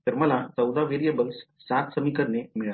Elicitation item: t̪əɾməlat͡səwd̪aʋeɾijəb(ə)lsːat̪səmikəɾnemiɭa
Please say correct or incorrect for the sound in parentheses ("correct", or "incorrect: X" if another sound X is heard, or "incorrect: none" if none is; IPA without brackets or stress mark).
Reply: correct